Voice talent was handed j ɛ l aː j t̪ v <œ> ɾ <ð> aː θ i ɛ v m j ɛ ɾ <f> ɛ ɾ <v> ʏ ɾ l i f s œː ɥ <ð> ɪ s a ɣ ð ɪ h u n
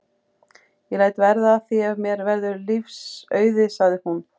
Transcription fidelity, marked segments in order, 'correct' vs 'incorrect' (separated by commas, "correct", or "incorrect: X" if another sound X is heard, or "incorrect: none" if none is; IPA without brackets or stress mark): incorrect: ɛ, correct, incorrect: v, incorrect: ð, correct